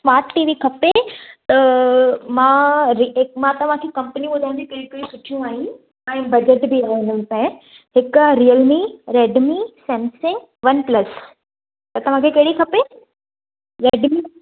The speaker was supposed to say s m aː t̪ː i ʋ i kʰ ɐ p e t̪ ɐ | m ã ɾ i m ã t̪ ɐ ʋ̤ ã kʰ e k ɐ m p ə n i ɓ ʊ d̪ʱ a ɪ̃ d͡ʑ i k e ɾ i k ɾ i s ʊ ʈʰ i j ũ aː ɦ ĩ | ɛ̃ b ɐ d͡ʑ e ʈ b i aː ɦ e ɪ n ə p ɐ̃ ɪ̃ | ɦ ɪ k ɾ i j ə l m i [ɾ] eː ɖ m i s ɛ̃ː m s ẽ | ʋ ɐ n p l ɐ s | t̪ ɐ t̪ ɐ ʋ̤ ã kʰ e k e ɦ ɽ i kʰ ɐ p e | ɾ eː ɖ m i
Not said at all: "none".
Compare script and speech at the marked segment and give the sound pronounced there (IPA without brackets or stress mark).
ɾ